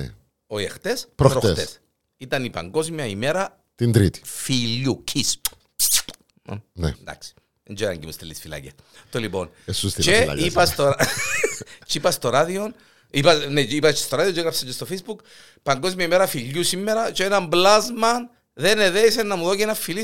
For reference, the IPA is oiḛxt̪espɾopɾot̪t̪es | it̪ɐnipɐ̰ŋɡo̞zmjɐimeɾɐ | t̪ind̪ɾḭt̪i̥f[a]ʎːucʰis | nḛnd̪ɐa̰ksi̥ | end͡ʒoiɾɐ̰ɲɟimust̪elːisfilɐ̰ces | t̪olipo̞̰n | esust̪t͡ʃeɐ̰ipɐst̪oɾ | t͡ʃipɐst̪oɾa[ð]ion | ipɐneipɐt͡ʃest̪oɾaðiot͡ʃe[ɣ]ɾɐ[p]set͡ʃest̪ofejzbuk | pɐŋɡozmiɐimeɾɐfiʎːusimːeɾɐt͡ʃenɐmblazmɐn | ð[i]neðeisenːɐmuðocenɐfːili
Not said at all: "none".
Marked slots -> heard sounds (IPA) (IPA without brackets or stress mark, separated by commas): i, ð, ɣ, p, e